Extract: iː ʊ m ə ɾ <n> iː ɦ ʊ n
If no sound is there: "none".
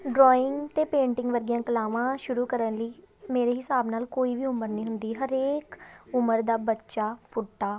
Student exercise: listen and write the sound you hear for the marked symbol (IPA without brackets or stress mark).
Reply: n